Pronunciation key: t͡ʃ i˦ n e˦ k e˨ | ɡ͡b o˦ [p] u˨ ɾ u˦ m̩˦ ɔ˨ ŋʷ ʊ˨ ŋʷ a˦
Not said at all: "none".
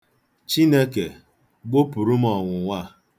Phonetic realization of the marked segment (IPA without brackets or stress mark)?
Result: p